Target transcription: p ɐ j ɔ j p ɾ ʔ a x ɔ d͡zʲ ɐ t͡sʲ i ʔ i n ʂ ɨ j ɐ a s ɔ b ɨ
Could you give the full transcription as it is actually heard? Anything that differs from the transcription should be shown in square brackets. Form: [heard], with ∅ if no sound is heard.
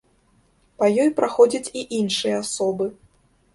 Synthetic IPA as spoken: p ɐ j ɔ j p ɾ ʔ a x ɔ d͡zʲ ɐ t͡sʲ i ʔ i n ʂ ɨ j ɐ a s ɔ b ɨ

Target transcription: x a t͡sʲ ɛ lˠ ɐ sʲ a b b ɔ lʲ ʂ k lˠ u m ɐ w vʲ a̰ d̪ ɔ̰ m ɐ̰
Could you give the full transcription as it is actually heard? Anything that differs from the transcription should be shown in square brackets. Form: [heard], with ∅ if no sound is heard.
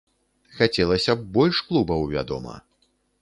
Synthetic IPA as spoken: x a t͡sʲ ɛ lˠ ɐ sʲ [ɐ] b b ɔ lʲ ʂ k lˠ u [b] ɐ w vʲ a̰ d̪ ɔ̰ m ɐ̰

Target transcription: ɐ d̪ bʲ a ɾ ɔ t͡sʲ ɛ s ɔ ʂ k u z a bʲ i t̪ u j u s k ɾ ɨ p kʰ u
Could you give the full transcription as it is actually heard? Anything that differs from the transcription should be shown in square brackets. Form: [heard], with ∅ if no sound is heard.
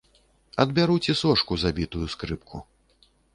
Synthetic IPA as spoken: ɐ d̪ bʲ a ɾ [u] t͡sʲ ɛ s ɔ ʂ k u z a bʲ i t̪ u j u s k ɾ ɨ p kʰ u

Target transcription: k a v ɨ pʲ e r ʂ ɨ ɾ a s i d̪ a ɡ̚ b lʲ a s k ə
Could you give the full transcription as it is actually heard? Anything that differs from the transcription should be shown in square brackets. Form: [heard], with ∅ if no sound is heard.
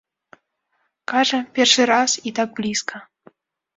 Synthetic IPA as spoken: k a [ʐ] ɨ pʲ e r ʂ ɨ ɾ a s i [t̪] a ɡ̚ b lʲ [i] s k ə

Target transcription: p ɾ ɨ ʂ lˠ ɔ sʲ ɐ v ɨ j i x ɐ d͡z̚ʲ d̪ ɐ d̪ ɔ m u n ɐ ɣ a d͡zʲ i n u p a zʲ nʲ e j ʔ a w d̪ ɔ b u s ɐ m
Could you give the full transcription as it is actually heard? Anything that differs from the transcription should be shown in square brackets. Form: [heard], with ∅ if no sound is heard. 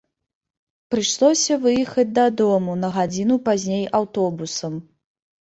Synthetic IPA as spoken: p ɾ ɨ ʂ lˠ ɔ sʲ ɐ v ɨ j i x ɐ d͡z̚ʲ d̪ ɐ d̪ ɔ m u n ɐ ɣ a d͡zʲ i n u p a zʲ nʲ e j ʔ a w [t̪] ɔ b u s ɐ m

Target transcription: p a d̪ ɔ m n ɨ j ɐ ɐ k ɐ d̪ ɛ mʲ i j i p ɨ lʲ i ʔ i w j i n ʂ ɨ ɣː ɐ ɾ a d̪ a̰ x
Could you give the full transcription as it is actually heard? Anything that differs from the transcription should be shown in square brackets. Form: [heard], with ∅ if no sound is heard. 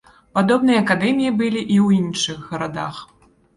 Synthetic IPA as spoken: p a d̪ ɔ [b] n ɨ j ɐ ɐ k [a] d̪ ɛ mʲ i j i [b] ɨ lʲ i ʔ i w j i n ʂ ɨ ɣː ɐ ɾ a d̪ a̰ x

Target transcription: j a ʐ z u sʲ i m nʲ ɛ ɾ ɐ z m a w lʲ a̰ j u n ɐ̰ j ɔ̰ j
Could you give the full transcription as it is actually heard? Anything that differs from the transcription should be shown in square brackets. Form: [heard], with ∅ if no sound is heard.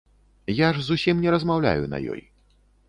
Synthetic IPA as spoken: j a ʐ z u sʲ i m nʲ ɛ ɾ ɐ z m a w lʲ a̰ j u n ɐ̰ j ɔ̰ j

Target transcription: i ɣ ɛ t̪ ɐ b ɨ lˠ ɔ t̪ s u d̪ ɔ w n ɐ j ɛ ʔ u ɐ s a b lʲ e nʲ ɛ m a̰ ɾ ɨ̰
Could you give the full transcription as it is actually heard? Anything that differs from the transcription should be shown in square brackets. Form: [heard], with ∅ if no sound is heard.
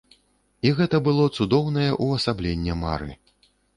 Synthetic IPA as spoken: i ɣ ɛ t̪ ɐ b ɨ lˠ ɔ t̪ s u d̪ ɔ w n ɐ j ɛ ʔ u ɐ s a b lʲ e [nʲː] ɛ m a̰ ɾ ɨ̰

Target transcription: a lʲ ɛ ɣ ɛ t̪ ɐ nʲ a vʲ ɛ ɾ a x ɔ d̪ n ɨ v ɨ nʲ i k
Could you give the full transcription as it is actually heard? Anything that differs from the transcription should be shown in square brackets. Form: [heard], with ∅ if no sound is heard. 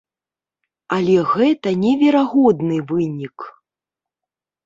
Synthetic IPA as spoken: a lʲ ɛ ɣ ɛ t̪ ɐ nʲ [ɛ] vʲ ɛ ɾ a [ɣ] ɔ d̪ n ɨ v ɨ nʲ i k

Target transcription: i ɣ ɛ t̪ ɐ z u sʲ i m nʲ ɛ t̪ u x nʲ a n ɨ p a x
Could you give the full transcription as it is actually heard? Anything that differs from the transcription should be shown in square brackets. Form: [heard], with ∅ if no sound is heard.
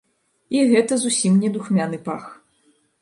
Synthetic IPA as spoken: i ɣ ɛ t̪ ɐ z u sʲ i m nʲ ɛ [d̪] u x [mʲ] a n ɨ p a x

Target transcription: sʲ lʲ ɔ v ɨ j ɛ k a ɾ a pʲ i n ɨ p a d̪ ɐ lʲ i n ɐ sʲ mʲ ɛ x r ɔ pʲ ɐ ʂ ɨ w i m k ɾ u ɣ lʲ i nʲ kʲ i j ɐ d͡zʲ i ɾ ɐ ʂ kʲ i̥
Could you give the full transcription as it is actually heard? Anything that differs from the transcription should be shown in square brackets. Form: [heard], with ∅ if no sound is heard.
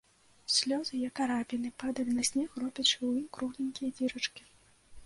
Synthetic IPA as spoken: sʲ lʲ ɔ [z] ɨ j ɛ k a ɾ a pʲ i n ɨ p a d̪ ɐ lʲ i n ɐ sʲ [nʲ] ɛ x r ɔ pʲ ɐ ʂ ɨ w i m k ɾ u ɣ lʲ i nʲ kʲ i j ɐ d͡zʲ i ɾ ɐ [t͡ʂ] kʲ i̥

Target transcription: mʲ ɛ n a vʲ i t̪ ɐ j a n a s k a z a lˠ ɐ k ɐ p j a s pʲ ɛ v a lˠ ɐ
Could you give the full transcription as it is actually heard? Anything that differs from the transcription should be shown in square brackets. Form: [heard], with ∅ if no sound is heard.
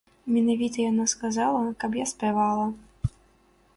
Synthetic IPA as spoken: mʲ ɛ n a vʲ i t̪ ɐ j a n a s k a z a lˠ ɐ k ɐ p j a s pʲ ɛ v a lˠ ɐ

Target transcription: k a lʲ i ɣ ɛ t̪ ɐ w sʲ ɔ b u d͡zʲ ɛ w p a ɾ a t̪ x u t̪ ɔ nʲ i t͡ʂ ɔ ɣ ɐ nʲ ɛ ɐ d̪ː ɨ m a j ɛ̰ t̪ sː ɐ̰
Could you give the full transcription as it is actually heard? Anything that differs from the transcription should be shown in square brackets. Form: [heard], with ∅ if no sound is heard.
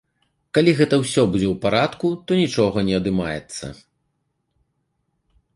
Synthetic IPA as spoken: k a lʲ i ɣ ɛ t̪ ɐ w sʲ ɔ b u d͡zʲ ɛ w p a ɾ a t̪ [k] u t̪ ɔ nʲ i t͡ʂ ɔ ɣ ɐ nʲ ɛ ɐ [d̪] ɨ m a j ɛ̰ t̪ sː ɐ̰

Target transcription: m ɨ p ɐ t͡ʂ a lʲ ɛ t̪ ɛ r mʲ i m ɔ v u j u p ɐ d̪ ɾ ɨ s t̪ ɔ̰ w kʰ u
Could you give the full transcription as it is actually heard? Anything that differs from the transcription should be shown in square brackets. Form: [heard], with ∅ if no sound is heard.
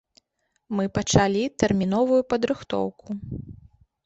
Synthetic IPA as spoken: m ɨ p ɐ t͡ʂ a lʲ [i] t̪ ɛ r mʲ i [n] ɔ v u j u p ɐ d̪ ɾ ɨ [x] t̪ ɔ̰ w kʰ u

